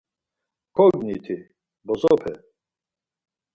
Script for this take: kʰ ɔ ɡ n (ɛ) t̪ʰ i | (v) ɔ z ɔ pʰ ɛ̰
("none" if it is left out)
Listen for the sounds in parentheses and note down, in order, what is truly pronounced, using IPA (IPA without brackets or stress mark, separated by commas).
i, b